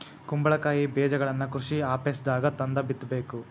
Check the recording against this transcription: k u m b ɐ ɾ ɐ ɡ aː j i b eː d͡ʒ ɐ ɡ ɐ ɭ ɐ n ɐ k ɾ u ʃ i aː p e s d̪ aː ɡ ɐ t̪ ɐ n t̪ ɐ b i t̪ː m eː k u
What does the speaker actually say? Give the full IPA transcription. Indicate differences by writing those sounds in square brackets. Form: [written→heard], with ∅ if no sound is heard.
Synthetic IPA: k u m b ɐ [ɾ→ɭ] ɐ [ɡ→k] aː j i b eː d͡ʒ ɐ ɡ ɐ ɭ ɐ [n→nː] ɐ k ɾ u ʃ i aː p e s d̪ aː ɡ ɐ t̪ ɐ n [t̪→d̪] ɐ b i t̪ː [m→b] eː k u

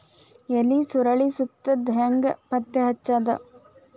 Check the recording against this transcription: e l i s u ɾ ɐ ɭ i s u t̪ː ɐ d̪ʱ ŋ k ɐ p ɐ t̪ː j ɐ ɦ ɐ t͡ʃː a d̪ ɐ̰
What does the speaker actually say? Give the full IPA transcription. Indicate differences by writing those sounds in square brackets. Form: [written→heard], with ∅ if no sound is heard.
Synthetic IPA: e l i s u ɾ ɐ ɭ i s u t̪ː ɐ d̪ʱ ŋ [k→ɡ] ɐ p ɐ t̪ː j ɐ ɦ ɐ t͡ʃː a d̪ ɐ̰

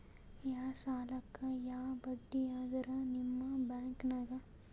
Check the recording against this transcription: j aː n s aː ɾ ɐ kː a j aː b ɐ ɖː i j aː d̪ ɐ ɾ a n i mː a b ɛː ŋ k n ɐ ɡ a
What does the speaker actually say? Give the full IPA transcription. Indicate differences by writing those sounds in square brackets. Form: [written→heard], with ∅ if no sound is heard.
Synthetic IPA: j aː [n→∅] s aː [ɾ→l] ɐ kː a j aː b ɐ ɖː i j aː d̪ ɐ ɾ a n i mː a b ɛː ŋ k n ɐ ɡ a

